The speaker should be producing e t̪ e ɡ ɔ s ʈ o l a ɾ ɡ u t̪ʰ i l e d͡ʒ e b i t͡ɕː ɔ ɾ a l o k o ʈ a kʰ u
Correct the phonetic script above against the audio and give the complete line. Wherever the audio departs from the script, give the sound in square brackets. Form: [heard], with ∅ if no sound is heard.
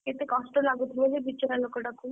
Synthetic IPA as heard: e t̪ e [k] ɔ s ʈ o l a [∅] ɡ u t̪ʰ i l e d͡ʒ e b i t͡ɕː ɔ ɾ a l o k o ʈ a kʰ u